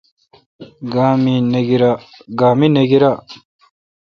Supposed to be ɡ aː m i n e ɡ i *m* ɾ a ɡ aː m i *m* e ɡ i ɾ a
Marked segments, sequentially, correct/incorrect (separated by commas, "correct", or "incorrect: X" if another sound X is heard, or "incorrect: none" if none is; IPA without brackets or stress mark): incorrect: none, incorrect: n